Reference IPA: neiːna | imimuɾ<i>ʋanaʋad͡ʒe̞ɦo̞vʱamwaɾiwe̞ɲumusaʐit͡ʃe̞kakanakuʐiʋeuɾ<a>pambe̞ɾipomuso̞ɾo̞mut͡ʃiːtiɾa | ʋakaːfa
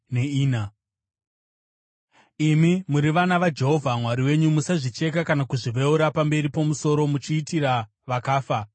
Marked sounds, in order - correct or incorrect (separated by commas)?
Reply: correct, correct